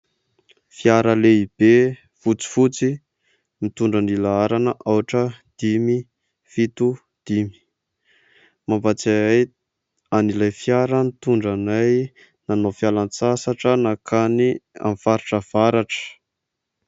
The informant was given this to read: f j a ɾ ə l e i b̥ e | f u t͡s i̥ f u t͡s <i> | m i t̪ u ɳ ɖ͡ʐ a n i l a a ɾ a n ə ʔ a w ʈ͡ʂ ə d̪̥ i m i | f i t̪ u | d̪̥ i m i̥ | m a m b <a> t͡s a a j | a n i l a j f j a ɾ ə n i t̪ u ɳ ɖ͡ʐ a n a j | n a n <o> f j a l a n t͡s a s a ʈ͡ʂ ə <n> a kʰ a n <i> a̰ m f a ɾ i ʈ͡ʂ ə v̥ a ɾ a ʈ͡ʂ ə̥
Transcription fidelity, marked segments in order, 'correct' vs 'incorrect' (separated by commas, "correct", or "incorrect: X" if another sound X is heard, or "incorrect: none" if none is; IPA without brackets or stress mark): correct, correct, correct, correct, correct